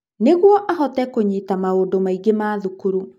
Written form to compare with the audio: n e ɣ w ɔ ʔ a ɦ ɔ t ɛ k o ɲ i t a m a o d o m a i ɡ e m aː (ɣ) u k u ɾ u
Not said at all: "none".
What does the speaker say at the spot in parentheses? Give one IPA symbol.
ð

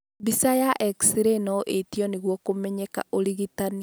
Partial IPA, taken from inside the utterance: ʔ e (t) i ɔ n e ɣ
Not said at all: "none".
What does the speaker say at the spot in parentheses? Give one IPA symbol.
t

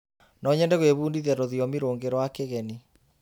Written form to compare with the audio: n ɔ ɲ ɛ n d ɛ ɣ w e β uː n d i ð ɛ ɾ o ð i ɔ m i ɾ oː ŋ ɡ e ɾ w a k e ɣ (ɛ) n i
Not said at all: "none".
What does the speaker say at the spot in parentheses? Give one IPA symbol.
ɛ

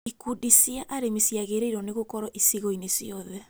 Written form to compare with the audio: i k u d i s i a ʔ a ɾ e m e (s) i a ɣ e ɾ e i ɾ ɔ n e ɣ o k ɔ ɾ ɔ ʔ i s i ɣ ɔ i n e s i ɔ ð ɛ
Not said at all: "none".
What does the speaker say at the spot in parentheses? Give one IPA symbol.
s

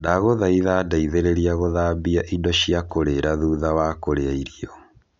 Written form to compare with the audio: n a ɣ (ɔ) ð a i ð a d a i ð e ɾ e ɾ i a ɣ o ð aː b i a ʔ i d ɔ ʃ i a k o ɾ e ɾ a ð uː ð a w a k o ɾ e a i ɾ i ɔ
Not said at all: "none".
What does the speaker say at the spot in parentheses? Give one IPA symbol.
o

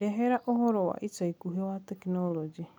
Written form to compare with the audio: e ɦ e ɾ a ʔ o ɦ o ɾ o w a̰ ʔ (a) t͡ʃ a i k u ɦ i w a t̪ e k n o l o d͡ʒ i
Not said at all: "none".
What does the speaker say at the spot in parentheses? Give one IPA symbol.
i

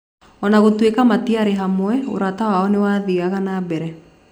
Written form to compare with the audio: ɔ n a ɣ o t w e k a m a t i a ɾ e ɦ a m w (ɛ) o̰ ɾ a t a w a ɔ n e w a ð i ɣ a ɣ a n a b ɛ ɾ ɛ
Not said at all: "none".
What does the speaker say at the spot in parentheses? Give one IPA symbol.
ɛ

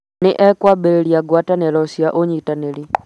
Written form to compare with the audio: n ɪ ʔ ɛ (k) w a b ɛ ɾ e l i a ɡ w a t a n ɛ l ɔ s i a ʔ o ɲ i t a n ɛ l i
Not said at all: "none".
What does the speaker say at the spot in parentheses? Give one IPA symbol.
k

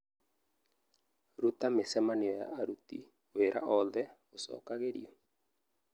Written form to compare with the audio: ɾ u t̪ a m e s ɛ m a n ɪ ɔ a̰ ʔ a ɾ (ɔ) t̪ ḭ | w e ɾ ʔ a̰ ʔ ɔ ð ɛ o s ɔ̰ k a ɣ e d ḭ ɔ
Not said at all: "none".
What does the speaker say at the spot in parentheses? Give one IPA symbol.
u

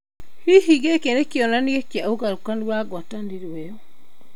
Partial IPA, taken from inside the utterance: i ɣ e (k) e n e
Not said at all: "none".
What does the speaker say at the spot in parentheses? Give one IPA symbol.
k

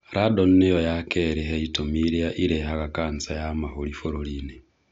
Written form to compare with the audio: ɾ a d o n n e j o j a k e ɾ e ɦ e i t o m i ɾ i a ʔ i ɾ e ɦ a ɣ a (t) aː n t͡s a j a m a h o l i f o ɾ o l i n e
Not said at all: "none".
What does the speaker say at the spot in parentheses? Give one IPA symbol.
k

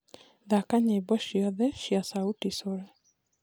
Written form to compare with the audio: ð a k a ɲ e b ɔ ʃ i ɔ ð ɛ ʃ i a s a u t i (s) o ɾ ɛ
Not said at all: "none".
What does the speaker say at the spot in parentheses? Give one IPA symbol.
s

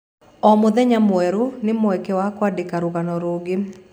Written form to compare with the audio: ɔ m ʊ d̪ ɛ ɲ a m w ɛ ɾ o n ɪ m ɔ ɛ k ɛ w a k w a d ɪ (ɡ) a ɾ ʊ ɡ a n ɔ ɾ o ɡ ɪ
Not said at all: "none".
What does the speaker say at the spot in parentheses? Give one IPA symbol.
k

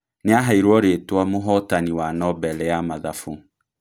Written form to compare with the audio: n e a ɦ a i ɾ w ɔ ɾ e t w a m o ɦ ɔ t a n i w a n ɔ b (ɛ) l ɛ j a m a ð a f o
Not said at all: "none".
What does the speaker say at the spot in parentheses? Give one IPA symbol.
ɛ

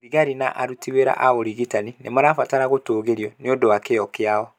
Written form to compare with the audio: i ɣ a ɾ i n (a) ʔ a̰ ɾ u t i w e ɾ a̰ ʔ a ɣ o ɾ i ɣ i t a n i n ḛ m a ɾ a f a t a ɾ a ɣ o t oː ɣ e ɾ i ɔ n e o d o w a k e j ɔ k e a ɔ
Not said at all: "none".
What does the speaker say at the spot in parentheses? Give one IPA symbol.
a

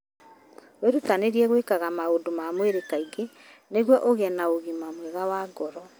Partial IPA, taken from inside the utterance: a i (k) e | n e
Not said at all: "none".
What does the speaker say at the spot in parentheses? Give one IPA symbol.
ɡ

